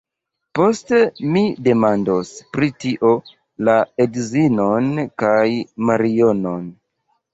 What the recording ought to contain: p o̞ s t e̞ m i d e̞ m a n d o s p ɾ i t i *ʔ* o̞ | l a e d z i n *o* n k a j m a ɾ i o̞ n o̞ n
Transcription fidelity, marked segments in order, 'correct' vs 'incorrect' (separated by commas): correct, correct